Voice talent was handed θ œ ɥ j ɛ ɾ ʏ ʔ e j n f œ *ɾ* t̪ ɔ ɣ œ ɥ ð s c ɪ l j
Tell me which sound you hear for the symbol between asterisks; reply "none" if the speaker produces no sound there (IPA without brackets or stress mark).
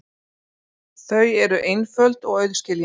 l